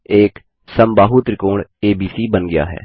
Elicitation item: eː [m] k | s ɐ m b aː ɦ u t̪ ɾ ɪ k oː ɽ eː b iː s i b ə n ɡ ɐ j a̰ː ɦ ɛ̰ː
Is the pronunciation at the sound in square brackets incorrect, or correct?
incorrect